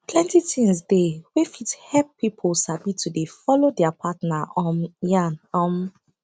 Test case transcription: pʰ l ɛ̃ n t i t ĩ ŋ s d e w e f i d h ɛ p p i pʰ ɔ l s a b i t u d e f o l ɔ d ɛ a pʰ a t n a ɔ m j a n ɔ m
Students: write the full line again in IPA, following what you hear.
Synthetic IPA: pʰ l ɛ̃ n t i t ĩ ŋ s d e w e f i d h ɛ p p i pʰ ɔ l s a b i t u d e f ɔ l o d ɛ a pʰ a t n a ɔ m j a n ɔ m